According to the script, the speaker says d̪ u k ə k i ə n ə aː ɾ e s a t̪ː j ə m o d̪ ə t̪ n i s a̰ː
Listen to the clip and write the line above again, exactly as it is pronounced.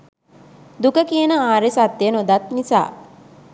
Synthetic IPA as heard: d̪ u k ə k i ə n ə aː ɾ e s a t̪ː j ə n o d̪ a t̪ n i s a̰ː